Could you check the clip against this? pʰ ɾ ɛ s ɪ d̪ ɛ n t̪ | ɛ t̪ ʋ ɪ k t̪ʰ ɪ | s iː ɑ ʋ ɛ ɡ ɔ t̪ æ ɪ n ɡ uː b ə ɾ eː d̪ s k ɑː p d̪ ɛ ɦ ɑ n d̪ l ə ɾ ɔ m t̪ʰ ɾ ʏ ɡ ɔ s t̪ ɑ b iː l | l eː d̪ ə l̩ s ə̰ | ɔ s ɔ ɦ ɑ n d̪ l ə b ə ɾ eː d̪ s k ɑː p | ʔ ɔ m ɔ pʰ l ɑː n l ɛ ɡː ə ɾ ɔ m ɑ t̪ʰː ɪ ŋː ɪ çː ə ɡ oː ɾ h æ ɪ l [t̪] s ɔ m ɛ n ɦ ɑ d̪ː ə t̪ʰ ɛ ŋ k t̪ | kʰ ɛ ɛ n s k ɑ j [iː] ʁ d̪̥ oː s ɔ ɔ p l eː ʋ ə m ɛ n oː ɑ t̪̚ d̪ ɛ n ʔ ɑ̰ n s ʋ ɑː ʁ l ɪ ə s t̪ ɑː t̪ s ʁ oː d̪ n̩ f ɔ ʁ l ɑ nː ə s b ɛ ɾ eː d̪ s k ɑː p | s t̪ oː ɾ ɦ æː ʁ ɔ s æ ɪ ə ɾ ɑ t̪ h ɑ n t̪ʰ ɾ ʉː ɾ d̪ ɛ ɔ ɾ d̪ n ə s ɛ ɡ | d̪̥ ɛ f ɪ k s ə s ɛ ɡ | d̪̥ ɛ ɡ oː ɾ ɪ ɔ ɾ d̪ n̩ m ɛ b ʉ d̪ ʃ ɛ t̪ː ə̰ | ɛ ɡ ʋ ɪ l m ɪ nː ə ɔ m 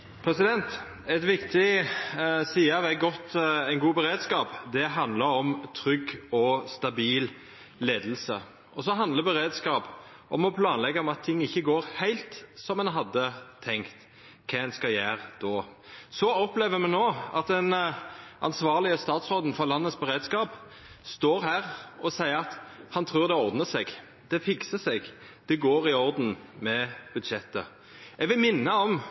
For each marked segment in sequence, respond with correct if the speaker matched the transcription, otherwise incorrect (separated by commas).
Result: correct, incorrect